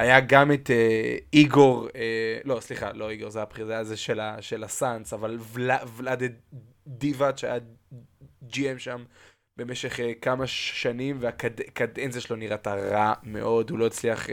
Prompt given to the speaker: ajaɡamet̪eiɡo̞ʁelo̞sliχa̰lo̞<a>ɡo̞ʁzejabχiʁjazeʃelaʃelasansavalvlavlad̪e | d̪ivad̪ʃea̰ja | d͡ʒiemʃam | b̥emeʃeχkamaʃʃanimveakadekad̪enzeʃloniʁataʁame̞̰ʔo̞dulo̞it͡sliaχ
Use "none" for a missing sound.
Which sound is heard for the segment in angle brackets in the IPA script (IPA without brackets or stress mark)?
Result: i